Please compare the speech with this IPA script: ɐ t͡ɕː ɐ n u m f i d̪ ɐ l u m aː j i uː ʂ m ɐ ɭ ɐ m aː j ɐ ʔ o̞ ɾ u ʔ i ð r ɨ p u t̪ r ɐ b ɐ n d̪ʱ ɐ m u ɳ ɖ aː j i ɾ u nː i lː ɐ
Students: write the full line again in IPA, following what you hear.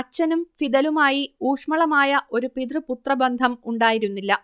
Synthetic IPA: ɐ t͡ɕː ɐ n u m f i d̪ ɐ l u m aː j i uː ʂ m ɐ ɭ ɐ m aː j ɐ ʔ o̞ ɾ u p i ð r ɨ p u t̪ r ɐ b ɐ n d̪ʱ ɐ m u ɳ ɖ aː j i ɾ u nː i lː ɐ